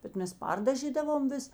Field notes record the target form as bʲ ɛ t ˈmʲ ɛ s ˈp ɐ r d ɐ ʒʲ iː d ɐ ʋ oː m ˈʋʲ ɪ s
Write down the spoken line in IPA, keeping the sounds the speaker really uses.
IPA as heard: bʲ ɛ t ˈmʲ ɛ s ˈp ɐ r d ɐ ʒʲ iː d ɐ ʋ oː m ˈʋʲ ɪ s